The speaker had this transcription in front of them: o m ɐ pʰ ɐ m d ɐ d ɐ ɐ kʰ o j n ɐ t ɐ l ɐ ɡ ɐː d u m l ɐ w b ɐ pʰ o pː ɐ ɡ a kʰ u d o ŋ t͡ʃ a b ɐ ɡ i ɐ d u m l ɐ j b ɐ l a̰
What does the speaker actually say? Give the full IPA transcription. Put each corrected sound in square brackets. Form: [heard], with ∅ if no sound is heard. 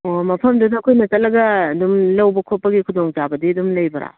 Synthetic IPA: o m ɐ pʰ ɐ m d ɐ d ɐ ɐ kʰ o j n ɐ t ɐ l ɐ ɡ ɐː d u m l ɐ w b ɐ [kʰ] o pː ɐ ɡ [i] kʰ u d o ŋ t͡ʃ a b ɐ [d] i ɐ d u m l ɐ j b ɐ [ɾ] a̰